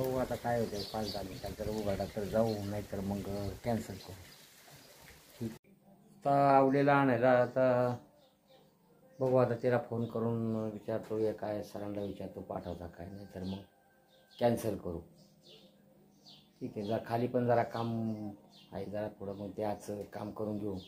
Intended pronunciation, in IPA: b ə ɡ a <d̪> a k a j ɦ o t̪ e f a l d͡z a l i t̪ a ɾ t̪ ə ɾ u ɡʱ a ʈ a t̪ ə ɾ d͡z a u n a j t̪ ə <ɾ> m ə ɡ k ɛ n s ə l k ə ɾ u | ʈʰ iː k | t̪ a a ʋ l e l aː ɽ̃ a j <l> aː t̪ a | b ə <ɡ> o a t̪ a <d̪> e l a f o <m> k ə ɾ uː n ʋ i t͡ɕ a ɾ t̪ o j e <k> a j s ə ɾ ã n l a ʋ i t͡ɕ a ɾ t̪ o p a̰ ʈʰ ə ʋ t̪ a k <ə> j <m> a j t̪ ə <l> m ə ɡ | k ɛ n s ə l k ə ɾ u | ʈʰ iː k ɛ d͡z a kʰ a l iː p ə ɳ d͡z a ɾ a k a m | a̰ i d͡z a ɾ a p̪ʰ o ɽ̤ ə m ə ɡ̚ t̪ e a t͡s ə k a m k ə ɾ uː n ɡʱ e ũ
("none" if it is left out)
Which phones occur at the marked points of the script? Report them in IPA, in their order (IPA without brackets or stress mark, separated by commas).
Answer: t̪, ɾ, l, ɡ, t̪, n, k, a, n, ɾ